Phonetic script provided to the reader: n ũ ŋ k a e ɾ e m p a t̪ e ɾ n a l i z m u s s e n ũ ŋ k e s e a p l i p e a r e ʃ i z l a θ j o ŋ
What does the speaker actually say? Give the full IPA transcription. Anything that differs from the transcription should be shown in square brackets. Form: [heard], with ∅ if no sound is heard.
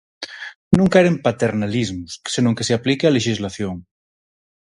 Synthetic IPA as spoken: n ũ ŋ k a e ɾ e m p a t̪ e ɾ n a l i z m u s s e n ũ ŋ k e s e a p l i [k] e a [l] e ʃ i z l a θ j o ŋ